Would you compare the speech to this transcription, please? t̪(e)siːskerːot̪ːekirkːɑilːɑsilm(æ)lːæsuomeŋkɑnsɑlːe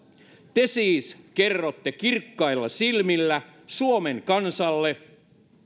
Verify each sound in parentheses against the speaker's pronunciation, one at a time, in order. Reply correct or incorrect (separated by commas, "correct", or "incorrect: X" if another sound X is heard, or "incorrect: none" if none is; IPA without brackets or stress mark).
correct, incorrect: i